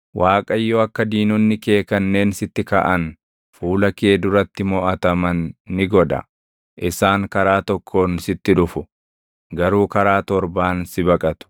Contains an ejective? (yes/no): yes